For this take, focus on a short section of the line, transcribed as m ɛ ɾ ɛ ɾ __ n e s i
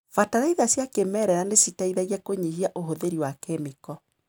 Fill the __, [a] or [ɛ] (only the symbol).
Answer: a